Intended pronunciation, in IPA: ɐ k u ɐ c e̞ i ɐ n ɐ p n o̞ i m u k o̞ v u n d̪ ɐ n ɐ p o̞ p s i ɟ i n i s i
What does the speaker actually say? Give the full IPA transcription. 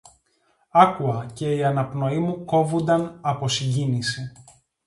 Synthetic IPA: ɐ k u ɐ c e̞ i ɐ n ɐ p n o̞ i m u k o̞ v u n d̪ ɐ n ɐ p o̞ s i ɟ i n i s i

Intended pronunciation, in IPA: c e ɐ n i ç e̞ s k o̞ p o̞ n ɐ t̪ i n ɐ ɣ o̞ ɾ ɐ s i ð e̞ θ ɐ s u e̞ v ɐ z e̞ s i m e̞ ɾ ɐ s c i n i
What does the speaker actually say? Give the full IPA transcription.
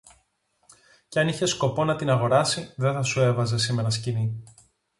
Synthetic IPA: c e ɐ n i ç e̞ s k o̞ p o̞ n ɐ t̪ i n ɐ ɣ o̞ ɾ ɐ s i ð e̞ θ ɐ s u e̞ v ɐ z e̞ s i m e̞ ɾ ɐ s c i n i

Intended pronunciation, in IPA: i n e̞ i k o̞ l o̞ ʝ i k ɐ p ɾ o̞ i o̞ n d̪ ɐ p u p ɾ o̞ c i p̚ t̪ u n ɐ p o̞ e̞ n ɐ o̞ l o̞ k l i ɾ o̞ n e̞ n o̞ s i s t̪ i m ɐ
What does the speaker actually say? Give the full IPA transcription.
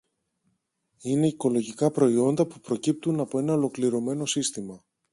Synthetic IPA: i n e̞ i k o̞ l o̞ ʝ i k ɐ p ɾ o̞ i o̞ n d̪ ɐ p u p ɾ o̞ c i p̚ t̪ u n ɐ p o̞ e̞ n ɐ o̞ l o̞ k l i ɾ o̞ m e̞ n o̞ s i s t̪ i m ɐ

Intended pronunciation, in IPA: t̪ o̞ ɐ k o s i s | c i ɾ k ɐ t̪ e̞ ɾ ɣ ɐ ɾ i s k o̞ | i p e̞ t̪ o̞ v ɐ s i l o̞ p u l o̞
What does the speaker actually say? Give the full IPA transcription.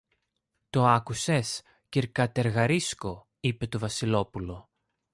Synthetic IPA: t̪ o̞ ɐ k u s e s | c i ɾ k ɐ t̪ e̞ ɾ ɣ ɐ ɾ i s k o̞ | i p e̞ t̪ o̞ v ɐ s i l o̞ p u l o̞

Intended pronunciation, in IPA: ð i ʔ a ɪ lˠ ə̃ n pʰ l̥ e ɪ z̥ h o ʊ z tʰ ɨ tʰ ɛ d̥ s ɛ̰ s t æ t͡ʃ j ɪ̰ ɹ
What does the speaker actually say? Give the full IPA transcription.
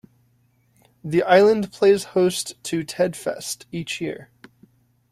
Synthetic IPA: ð i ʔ a ɪ lˠ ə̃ n pʰ l̥ e ɪ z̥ h o ʊ s tʰ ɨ tʰ ɛ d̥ f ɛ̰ s t i t͡ʃ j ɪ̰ ɹ

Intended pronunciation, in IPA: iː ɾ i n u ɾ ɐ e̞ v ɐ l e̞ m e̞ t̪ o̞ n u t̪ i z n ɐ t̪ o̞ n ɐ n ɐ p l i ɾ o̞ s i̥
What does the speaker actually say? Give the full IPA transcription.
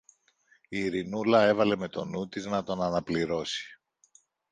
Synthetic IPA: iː ɾ i n u l ɐ e̞ v ɐ l e̞ m e̞ t̪ o̞ n u t̪ i z n ɐ t̪ o̞ n ɐ n ɐ p l i ɾ o̞ s i̥

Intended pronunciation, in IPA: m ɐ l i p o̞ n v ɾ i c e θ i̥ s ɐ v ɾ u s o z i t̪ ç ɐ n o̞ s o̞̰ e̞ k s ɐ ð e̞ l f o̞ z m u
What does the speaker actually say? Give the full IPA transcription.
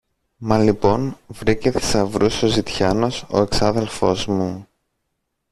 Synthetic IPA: m ɐ l i p o̞ n v ɾ i c e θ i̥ s ɐ v ɾ u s o z i t̪ ç ɐ n o̞ s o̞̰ e̞ k s ɐ ð e̞ l f o̞ z m u

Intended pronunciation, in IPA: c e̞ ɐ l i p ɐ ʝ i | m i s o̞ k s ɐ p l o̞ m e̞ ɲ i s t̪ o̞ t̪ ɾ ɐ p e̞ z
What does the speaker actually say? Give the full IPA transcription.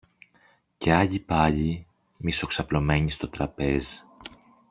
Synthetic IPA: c e̞ ɐ ʎ i p ɐ ʎ i | m i s o̞ k s ɐ p l o̞ m e̞ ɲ i s t̪ o̞ t̪ ɾ ɐ p e̞ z

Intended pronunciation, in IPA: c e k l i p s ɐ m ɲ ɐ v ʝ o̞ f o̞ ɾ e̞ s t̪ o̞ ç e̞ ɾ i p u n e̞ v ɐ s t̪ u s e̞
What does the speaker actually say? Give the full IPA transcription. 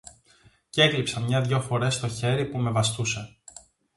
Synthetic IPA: c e k l i p s ɐ m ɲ ɐ ð ʝ o̞ f o̞ ɾ e̞ s t̪ o̞ ç e̞ ɾ i p u m e̞ v ɐ s t̪ u s e̞

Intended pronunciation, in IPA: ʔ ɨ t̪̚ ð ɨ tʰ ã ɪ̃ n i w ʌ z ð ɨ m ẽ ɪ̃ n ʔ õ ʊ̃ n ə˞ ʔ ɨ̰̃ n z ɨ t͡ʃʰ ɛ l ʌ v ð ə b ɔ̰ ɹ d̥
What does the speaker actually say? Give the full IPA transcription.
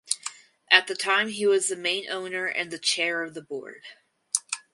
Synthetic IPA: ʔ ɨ t̪̚ ð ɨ tʰ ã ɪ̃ m i w ʌ z ð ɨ m ẽ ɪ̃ n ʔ õ ʊ̃ n ə˞ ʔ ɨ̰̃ n ð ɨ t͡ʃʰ ɛ ɹ ʌ v ð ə b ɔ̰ ɹ d̥

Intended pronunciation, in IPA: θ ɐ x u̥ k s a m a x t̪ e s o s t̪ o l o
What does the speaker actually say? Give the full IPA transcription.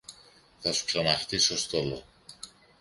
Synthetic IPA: θ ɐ s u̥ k s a n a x t̪ i s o s t̪ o l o

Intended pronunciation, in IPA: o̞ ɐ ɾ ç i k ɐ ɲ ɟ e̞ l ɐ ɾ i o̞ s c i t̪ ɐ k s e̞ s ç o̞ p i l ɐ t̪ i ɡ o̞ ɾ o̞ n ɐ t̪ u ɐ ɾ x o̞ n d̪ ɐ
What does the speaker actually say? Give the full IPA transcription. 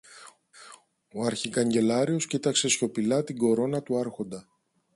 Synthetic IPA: o̞ ɐ ɾ ç i k ɐ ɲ ɟ e̞ l ɐ ɾ i o̞ s c i t̪ ɐ k s e̞ s ç o̞ p i l ɐ t̪ i ɡ o̞ ɾ o̞ n ɐ t̪ u ɐ ɾ x o̞ n d̪ ɐ

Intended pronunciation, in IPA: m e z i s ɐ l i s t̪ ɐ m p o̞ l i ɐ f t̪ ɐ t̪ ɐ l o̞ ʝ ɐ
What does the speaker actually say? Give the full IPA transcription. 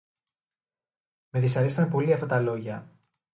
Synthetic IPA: m e ð i s ɐ ɾ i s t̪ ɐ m p o̞ l i ɐ f t̪ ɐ t̪ ɐ l o̞ ʝ ɐ

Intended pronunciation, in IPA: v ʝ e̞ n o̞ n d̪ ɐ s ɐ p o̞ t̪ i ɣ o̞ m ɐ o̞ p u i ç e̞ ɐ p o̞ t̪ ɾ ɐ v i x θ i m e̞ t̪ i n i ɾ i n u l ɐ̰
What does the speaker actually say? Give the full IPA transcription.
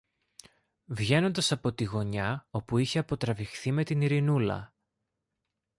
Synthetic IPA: v ʝ e̞ n o̞ n d̪ ɐ s ɐ p o̞ t̪ i ɣ o̞ ɲ ɐ o̞ p u i ç e̞ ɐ p o̞ t̪ ɾ ɐ v i x θ i m e̞ t̪ i n i ɾ i n u l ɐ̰

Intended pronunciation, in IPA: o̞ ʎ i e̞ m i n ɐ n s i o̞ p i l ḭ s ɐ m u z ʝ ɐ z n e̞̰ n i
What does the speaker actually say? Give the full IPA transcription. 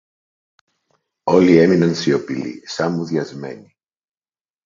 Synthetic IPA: o̞ l i e̞ m i n ɐ n s i o̞ p i l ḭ s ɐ m u ð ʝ ɐ z m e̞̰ n i

